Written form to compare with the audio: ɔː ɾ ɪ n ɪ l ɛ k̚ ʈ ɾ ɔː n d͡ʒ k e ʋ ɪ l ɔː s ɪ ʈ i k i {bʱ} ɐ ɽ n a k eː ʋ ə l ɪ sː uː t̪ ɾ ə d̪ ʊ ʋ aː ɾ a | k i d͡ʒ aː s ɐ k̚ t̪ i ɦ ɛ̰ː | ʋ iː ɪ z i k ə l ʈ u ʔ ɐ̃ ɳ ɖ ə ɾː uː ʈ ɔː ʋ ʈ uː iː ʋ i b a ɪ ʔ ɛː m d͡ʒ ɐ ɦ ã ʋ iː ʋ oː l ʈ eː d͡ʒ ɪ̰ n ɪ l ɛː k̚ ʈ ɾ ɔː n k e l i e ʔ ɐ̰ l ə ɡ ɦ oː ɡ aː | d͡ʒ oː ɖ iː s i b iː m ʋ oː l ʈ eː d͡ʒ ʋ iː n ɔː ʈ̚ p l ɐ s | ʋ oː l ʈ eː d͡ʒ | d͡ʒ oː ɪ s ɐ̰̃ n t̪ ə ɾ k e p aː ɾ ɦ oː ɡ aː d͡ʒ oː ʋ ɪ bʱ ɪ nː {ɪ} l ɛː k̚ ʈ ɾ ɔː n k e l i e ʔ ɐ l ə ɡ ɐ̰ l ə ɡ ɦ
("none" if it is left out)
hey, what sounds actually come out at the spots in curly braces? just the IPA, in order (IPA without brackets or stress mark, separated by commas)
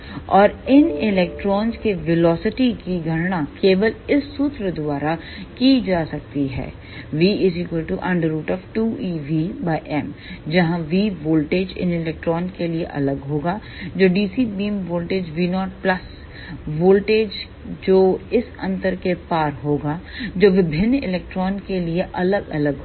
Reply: ɡʱ, ɪ